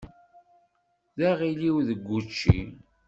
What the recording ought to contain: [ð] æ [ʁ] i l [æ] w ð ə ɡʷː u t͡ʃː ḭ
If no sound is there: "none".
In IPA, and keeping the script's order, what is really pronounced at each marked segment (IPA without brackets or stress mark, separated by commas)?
ð, ʁ, i